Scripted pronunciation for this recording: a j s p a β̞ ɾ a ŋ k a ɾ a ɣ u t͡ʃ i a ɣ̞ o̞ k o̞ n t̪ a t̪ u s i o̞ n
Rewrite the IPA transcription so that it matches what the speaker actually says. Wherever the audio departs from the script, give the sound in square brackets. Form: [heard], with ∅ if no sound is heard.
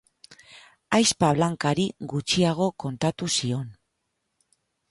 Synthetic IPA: a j s p a β̞ [l] a ŋ k a ɾ [i] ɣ u t͡ʃ i a ɣ̞ o̞ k o̞ n t̪ a t̪ u s i o̞ n